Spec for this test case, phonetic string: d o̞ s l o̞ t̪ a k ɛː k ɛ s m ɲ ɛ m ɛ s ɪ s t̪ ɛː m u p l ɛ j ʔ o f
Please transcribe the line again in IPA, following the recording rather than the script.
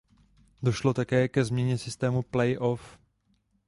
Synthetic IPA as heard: d o̞ ʃ l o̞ t̪ a k ɛː k ɛ z m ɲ ɛ ɲ ɛ s ɪ s t̪ ɛː m u p l ɛ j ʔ o f

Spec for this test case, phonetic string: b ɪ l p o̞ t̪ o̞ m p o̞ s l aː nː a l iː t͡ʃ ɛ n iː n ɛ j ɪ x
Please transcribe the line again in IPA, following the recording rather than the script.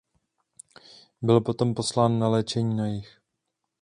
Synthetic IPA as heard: b ɪ l p o̞ t̪ o̞ m p o̞ s l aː nː a l ɛː t͡ʃ ɛ ɲ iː n a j ɪ x

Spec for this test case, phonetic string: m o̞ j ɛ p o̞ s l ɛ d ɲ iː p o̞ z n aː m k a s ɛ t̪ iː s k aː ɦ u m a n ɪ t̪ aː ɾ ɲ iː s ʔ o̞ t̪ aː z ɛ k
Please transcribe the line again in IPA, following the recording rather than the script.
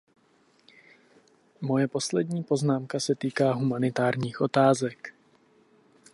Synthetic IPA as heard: m o̞ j ɛ p o̞ s l ɛ d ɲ iː p o̞ z n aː m k a s ɛ t̪ iː k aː ɦ u m a n ɪ t̪ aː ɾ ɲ iː x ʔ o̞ t̪ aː z ɛ k

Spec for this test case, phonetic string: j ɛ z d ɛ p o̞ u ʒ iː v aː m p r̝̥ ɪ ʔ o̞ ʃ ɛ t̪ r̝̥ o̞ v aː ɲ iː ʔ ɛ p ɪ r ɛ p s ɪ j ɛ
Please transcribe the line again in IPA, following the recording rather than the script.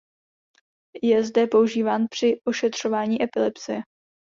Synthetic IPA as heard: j ɛ z d ɛ p o̞ u ʒ iː v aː n p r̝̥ ɪ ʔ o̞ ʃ ɛ t̪ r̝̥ o̞ v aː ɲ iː ʔ ɛ p ɪ l ɛ p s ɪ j ɛ

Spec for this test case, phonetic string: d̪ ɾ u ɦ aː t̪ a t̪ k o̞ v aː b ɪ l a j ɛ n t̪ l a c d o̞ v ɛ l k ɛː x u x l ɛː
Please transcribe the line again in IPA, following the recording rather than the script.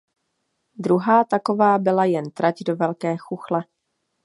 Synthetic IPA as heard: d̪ ɾ u ɦ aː t̪ a k o̞ v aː b ɪ l a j ɛ n t̪ ɾ a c d o̞ v ɛ l k ɛː x u x l ɛ

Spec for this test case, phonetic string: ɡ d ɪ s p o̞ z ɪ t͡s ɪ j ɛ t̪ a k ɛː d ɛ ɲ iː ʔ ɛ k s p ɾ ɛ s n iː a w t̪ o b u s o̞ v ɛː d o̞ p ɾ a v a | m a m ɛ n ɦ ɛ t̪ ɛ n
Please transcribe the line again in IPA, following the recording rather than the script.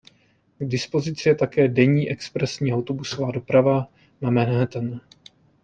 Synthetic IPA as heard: ɡ d ɪ s p o̞ z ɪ t͡s ɪ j ɛ t̪ a k ɛː d ɛ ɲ iː ʔ ɛ k s p ɾ ɛ s ɲ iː a w t̪ o b u s o̞ v aː d o̞ p ɾ a v a | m a m ɛ n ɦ ɛ t̪ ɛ n

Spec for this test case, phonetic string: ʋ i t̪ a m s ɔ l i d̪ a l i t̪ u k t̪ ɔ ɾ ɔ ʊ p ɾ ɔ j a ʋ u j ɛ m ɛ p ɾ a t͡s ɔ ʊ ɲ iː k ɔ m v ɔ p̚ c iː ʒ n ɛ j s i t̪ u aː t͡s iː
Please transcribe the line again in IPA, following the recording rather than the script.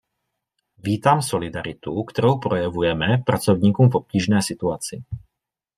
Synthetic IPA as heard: ʋ iː t̪ a m s ɔ l i d̪ a ɾ i t̪ u k t̪ ɔ ɾ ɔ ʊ p ɾ ɔ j a ʋ u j ɛ m ɛ p ɾ a t͡s ɔ ʊ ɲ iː k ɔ m v ɔ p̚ c iː ʒ n ɛ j s i t̪ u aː t͡s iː

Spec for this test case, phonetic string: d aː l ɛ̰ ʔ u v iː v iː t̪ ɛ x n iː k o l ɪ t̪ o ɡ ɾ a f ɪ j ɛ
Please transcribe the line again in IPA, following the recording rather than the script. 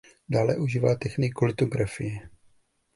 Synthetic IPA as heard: d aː l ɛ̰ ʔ u ʒ iː v aː t̪ ɛ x n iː k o l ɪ t̪ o ɡ ɾ a f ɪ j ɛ

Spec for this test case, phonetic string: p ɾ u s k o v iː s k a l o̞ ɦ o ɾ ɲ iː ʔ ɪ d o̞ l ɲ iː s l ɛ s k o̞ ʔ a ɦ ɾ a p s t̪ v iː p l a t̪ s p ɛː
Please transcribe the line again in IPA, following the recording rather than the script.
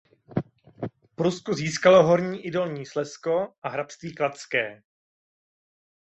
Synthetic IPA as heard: p ɾ u s k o z iː s k a l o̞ ɦ o ɾ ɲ iː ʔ ɪ d o̞ l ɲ iː s l ɛ s k o̞ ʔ a ɦ ɾ a p s t̪ v iː k l a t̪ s k ɛː

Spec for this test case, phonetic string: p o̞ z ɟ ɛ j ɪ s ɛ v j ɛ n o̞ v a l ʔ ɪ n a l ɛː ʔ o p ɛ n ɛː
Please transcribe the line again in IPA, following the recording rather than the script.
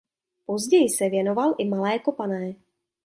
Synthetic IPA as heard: p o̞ z ɟ ɛ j ɪ s ɛ v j ɛ n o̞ v a l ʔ ɪ m a l ɛː k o p a n ɛː

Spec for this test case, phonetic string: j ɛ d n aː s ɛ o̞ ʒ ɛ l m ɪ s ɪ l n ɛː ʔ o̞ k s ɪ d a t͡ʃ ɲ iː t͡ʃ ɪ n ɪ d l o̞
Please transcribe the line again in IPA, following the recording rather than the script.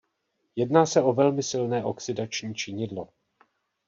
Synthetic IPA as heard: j ɛ d n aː s ɛ o̞ v ɛ l m ɪ s ɪ l n ɛː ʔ o̞ k s ɪ d a t͡ʃ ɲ iː t͡ʃ ɪ ɲ ɪ d l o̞

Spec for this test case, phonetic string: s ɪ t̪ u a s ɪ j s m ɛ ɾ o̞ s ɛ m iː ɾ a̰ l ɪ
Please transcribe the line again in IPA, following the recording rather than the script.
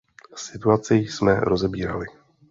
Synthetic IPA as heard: s ɪ t̪ u a t͡s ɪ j s m ɛ ɾ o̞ z ɛ b iː ɾ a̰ l ɪ

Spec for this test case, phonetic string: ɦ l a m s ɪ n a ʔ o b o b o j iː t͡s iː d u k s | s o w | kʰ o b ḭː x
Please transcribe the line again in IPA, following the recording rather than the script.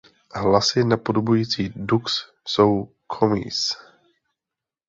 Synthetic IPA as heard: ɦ l a s ɪ n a p o d o b u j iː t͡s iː d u k s | s o w | kʰ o m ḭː s

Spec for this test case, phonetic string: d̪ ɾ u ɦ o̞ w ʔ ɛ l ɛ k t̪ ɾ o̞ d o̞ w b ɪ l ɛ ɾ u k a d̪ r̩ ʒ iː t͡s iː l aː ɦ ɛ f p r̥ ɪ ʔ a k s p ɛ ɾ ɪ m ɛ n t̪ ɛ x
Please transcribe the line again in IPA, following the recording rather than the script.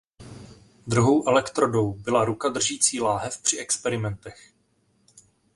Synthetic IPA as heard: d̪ ɾ u ɦ o̞ w ʔ ɛ l ɛ k t̪ ɾ o̞ d o̞ w b ɪ l a ɾ u k a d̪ r̩ ʒ iː t͡s iː l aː ɦ ɛ f p r̥ ɪ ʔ ɛ k s p ɛ ɾ ɪ m ɛ n t̪ ɛ x

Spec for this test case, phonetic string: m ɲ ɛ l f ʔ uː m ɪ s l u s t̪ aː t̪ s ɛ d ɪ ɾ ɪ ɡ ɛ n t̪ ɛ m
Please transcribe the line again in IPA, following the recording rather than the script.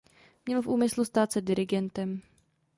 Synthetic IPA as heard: m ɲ ɛ l f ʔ uː m ɪ s l u s t̪ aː t̪ s ɛ d ɪ ɾ ɪ ɡ ɛ n t̪ ɛ m

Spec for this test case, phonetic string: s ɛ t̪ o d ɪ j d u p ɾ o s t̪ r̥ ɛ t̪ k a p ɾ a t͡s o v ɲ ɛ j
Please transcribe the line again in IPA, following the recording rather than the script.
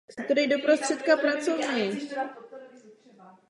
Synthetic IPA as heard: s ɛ t̪ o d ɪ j d o p ɾ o s t̪ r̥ ɛ t̪ k a p ɾ a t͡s o v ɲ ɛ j

